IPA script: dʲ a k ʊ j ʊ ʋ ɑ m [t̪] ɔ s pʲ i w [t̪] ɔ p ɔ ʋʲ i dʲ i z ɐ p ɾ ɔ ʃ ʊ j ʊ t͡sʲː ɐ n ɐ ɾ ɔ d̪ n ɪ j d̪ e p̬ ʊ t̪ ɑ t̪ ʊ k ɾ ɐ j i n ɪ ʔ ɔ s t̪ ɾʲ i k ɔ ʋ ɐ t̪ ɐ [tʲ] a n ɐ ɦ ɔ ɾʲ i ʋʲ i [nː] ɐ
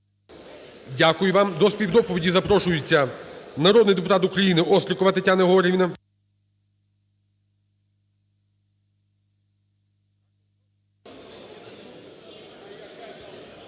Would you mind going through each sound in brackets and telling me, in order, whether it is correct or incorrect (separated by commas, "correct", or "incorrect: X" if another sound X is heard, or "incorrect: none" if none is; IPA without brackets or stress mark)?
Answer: incorrect: d̪, incorrect: d̪, correct, incorrect: n